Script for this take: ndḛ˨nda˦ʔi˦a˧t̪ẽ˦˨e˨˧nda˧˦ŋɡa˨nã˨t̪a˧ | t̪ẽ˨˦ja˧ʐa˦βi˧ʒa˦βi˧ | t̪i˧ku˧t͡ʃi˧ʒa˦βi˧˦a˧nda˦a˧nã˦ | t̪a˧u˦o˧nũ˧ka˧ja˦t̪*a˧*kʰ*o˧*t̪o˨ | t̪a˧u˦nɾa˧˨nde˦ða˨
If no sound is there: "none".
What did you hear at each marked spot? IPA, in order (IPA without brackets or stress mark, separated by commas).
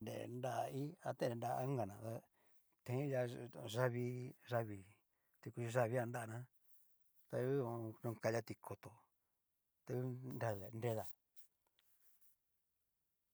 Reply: i˧, o˧